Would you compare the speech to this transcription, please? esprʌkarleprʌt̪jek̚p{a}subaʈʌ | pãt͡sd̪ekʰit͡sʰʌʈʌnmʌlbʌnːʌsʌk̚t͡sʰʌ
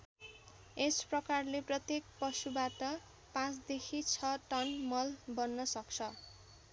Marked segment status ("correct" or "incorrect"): incorrect